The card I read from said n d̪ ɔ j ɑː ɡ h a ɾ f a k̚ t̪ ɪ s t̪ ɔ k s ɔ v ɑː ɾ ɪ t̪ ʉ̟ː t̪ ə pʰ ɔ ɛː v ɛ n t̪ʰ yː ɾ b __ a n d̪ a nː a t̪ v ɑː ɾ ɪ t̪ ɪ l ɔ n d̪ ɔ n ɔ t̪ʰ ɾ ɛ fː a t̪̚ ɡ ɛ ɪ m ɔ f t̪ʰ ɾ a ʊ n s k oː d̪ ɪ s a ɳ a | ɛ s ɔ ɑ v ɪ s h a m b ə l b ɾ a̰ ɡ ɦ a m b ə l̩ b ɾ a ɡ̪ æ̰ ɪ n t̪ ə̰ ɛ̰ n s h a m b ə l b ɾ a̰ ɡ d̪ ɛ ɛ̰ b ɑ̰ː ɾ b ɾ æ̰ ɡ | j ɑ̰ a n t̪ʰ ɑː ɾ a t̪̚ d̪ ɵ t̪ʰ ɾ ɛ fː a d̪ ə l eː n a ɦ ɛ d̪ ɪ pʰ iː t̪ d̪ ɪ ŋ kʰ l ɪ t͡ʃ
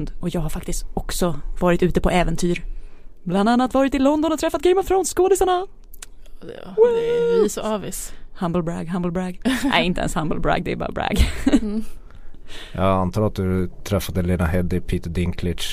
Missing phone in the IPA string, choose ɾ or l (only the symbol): l